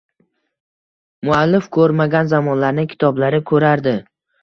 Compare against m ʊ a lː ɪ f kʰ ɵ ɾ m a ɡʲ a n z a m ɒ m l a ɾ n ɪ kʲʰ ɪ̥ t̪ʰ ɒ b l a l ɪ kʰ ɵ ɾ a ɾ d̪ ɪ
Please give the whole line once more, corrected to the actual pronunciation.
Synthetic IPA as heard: m ʊ a lː ɪ f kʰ ɵ ɾ m a ɡʲ a n z a m ɒ n l a ɾ n ɪ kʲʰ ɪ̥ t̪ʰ ɒ b l a ɾ ɪ kʰ ɵ ɾ a ɾ d̪ ɪ